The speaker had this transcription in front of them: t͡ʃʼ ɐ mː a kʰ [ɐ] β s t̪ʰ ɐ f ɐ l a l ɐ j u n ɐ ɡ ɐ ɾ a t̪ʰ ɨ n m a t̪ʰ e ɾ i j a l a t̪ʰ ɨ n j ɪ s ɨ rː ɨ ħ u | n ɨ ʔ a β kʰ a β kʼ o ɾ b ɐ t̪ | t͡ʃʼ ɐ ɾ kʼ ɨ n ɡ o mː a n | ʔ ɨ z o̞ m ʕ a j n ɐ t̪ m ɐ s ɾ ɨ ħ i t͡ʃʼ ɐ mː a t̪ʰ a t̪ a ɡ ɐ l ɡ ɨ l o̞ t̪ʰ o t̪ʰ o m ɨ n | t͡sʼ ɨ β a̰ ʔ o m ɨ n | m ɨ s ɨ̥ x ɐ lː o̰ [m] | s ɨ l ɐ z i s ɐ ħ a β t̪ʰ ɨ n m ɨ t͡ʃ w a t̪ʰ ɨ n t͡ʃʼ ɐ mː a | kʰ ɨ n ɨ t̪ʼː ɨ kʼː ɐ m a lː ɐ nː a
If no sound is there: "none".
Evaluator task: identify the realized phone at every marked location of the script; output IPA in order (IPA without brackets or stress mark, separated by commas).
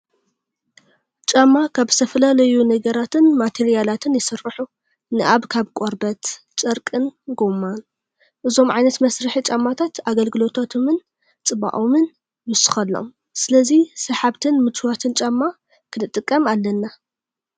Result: a, m